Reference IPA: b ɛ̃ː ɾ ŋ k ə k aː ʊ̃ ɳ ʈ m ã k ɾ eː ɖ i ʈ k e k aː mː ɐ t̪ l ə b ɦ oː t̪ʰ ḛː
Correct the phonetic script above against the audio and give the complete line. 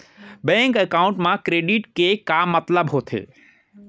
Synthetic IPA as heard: b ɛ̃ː ŋ k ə k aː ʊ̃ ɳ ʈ m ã k ɾ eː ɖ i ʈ k e k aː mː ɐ t̪ l ə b ɦ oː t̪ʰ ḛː